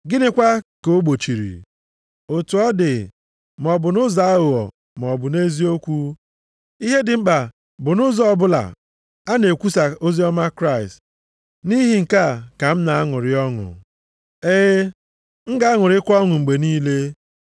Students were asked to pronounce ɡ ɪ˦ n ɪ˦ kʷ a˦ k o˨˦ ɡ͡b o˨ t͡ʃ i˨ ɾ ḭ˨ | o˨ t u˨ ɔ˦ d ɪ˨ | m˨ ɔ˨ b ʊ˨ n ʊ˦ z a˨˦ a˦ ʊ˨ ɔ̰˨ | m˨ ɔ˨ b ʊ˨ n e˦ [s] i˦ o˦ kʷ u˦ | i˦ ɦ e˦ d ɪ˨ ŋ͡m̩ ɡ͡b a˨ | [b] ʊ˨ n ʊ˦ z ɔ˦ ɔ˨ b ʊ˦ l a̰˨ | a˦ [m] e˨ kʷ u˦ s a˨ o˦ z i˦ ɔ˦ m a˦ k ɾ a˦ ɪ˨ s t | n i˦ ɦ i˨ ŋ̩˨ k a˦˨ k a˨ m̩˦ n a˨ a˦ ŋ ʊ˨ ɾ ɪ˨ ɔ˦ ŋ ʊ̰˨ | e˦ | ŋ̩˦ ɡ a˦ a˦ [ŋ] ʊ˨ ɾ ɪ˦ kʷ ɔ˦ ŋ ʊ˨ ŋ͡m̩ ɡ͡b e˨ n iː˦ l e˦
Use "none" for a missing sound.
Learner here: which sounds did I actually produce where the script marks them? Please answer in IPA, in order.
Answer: z, b, n, ŋ

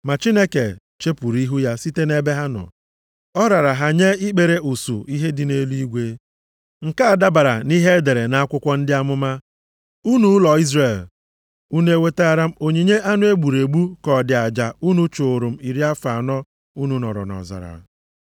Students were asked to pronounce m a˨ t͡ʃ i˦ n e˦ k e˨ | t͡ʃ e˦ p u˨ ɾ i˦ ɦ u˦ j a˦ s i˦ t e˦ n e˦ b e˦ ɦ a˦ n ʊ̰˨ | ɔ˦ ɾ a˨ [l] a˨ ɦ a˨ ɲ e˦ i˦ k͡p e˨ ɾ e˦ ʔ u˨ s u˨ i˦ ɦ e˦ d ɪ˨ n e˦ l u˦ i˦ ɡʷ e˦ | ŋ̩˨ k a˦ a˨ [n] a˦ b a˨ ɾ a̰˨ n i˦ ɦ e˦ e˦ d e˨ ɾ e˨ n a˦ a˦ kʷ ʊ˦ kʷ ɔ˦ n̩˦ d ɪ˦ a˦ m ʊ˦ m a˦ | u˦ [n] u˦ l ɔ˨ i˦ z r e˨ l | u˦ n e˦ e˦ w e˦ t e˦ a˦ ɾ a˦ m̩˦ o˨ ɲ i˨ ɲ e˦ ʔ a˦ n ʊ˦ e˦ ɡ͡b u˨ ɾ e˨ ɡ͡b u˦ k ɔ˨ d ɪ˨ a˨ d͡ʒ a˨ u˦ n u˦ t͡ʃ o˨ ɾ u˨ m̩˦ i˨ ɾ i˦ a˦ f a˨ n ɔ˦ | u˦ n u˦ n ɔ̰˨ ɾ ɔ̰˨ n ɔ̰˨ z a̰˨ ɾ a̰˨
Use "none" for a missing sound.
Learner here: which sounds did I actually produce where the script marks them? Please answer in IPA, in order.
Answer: ɾ, d, n

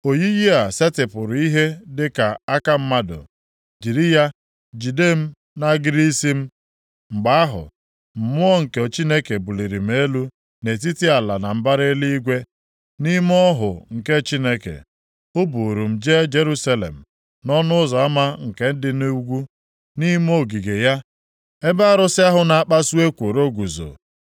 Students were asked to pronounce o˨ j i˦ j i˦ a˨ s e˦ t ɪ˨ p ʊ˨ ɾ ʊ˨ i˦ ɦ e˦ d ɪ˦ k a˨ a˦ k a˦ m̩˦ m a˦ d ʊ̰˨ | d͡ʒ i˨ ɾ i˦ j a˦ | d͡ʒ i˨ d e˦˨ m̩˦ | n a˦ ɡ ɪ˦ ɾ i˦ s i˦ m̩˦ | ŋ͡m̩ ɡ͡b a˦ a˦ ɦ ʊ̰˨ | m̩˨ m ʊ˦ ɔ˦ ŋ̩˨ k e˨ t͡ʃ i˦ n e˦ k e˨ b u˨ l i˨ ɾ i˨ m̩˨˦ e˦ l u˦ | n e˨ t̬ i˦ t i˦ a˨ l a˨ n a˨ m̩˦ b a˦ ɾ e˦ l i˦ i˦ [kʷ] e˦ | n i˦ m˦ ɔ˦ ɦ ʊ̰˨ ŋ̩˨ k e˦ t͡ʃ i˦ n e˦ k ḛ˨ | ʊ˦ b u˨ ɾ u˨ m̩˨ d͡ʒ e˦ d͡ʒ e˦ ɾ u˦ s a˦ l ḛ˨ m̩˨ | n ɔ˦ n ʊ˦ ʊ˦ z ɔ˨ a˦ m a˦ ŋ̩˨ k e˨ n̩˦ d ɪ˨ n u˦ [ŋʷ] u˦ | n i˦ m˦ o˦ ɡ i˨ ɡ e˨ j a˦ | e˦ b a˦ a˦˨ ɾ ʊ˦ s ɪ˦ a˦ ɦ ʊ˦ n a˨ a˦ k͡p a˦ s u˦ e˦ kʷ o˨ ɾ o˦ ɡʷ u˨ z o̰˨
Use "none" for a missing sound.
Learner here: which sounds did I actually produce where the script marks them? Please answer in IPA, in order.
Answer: ɡʷ, ɡʷ

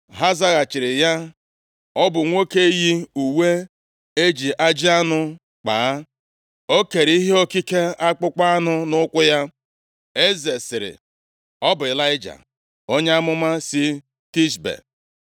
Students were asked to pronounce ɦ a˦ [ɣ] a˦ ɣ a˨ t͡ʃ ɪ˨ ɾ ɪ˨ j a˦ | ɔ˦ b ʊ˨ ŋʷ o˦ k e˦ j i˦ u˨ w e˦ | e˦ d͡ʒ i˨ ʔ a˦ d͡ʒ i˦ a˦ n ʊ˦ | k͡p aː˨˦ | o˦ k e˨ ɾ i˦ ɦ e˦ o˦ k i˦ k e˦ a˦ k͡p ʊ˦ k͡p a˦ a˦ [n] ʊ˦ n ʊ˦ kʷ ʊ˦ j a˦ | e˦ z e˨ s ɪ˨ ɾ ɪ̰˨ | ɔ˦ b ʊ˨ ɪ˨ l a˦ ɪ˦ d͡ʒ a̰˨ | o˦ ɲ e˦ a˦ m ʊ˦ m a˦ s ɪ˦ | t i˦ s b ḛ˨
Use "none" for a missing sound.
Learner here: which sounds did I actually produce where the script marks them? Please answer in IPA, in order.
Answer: z, n

